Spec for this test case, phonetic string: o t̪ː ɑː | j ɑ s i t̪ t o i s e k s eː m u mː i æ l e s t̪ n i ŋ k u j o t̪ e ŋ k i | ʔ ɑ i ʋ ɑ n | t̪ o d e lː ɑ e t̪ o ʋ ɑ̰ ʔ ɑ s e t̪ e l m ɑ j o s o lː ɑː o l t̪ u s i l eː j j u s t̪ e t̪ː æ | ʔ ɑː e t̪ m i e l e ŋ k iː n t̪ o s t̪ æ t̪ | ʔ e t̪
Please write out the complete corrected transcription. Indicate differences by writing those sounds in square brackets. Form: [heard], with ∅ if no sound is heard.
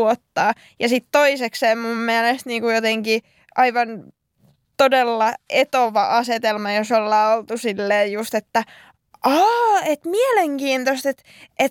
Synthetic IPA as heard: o t̪ː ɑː | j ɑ s i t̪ t o i s e k s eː m u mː i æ l e s t̪ n [iː] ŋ k u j o t̪ e ŋ k i | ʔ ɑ i ʋ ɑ n | t̪ o d e lː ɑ e t̪ o ʋ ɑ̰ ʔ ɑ s e t̪ e l m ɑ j o s o lː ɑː o l t̪ u s i [lː] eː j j u s t̪ e t̪ː æ | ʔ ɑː e t̪ m i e l e ŋ k iː n t̪ o s t̪ [e] t̪ | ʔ e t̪